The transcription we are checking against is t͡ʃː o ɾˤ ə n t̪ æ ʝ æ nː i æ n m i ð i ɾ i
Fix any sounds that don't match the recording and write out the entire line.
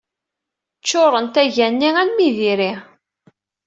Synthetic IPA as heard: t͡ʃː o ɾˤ ə n t̪ æ ʝ æ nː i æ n m i ð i ɾ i